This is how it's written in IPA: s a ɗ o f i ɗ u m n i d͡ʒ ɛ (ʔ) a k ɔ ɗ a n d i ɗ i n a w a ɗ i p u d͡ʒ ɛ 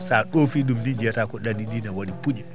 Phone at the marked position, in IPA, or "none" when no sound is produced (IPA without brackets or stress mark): t